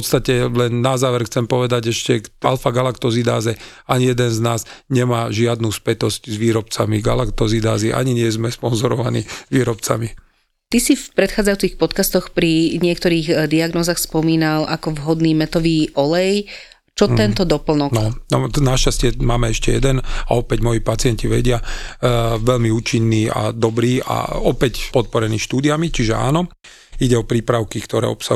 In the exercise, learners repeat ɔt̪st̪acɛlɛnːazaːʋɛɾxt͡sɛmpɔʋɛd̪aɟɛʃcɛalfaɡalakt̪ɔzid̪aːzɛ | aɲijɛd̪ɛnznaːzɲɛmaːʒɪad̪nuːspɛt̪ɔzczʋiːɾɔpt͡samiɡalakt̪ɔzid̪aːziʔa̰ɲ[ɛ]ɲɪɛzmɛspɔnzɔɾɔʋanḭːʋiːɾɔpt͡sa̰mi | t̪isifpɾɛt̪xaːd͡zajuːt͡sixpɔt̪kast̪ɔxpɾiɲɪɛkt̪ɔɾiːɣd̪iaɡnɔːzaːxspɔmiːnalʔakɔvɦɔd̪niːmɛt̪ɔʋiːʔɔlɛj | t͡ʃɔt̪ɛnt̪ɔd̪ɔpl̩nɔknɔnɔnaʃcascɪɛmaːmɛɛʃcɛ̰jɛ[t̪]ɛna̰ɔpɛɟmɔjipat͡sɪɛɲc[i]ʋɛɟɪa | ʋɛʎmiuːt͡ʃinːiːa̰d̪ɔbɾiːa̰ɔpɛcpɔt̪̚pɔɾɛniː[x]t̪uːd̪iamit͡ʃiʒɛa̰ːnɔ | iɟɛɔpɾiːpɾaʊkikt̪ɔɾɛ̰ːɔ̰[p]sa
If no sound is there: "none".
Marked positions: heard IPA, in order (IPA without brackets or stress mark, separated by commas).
i, d̪, i, ʃ, p